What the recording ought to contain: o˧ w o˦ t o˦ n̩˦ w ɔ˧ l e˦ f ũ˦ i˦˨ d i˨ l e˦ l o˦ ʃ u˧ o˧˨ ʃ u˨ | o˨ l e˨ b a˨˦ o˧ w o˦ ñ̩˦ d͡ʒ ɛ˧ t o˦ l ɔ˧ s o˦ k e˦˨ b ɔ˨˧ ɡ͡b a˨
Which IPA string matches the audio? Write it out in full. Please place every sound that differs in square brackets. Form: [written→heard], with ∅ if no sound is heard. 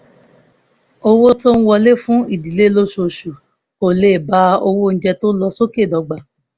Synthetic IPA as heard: o˧ w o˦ t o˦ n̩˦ w ɔ˧ l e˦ f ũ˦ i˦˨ d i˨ l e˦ l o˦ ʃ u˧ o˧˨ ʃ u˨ | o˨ l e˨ b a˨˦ o˧ w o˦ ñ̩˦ d͡ʒ ɛ˧ t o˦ l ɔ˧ s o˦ k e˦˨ [b→d] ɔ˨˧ ɡ͡b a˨